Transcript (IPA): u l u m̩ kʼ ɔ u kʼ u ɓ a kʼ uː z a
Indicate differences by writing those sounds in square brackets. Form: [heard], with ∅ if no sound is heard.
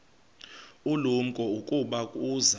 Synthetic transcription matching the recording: u l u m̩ kʼ ɔ u kʼ u ɓ a kʼ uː z a